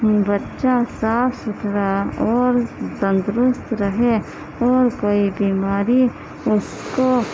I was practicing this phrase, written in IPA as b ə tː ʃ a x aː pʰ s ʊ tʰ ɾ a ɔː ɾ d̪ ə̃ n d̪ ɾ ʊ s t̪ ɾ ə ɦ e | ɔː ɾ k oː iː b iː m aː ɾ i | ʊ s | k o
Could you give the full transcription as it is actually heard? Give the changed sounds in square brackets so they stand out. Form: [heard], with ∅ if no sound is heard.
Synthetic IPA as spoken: b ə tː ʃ a [s] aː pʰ s ʊ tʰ ɾ a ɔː ɾ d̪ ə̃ n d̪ ɾ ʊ s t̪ ɾ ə ɦ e | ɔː ɾ k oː [i] b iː m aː ɾ i | ʊ s | k o